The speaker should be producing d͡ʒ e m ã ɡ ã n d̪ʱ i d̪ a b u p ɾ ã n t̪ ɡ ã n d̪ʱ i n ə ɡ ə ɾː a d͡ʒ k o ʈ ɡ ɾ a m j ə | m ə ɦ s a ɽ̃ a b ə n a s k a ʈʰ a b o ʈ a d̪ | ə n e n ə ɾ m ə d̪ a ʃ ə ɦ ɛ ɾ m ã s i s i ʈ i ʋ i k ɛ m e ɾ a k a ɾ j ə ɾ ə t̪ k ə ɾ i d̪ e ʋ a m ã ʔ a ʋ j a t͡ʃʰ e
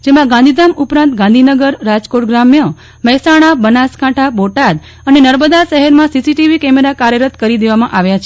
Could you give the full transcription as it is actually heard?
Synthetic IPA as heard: d͡ʒ e m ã ɡ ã n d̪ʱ i d̪ a m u p ɾ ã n t̪ ɡ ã n d̪ʱ i n ə ɡ ə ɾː a d͡ʒ k o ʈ ɡ ɾ a m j ə | m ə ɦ s a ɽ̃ a b ə n a s k a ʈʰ a b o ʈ a d̪ | ə n e n ə ɾ m ə d̪ a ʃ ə ɦ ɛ ɾ m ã s i s i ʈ i ʋ i k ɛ m e ɾ a k a ɾ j ə ɾ ə t̪ k ə ɾ i d̪ e ʋ a m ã ʔ a ʋ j a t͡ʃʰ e